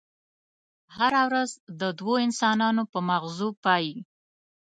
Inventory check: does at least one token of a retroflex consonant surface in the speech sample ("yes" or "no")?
no